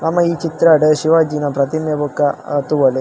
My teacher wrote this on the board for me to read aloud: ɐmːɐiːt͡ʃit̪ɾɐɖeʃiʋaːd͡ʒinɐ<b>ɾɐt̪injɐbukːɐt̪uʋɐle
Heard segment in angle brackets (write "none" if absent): p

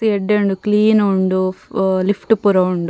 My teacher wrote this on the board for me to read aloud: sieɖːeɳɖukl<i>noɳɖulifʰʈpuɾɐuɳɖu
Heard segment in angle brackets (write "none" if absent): iː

